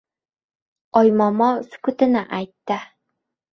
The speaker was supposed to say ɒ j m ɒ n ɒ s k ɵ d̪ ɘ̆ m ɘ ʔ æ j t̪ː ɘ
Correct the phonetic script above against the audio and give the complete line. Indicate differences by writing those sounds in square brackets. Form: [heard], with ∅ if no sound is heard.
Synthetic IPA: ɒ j m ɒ [m] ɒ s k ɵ [t̪] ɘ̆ [n] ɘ ʔ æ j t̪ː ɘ